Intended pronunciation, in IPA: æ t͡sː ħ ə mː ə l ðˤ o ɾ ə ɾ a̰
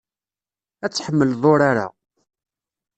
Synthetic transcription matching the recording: æ t͡sː ħ ə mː ə l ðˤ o ɾ a ɾ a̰